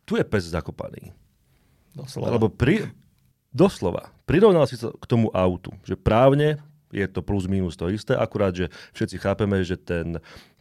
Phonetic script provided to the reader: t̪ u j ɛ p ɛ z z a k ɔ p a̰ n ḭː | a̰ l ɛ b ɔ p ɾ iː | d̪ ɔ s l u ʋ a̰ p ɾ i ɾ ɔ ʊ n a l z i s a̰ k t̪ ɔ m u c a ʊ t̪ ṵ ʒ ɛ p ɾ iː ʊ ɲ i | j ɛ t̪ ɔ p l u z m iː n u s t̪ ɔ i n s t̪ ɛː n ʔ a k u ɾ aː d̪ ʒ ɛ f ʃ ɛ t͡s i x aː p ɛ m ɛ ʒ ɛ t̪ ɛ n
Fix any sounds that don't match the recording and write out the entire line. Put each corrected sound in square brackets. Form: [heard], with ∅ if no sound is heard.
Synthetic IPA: t̪ u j ɛ p ɛ z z a k ɔ p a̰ n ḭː | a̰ l ɛ b ɔ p ɾ [i] | d̪ ɔ s l [ɔ] ʋ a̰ p ɾ i ɾ ɔ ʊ n a l [s] i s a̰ k t̪ ɔ m u [ʔ] a ʊ t̪ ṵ ʒ ɛ p ɾ [aː] ʊ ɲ [ɛ] | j ɛ t̪ ɔ p l u z m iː n u s t̪ ɔ i [∅] s t̪ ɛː [∅] ʔ a k u ɾ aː d̪ ʒ ɛ f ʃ ɛ t͡s i x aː p ɛ m ɛ ʒ ɛ t̪ ɛ n